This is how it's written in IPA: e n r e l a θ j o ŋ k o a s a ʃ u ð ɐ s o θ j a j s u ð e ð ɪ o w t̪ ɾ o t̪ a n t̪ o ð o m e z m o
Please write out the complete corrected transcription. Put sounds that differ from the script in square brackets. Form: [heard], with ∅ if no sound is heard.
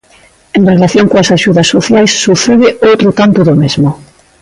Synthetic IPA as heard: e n r e l a θ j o ŋ k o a s a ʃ u ð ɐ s o θ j a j [sː] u [θ] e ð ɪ o w t̪ ɾ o t̪ a n t̪ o ð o m e z m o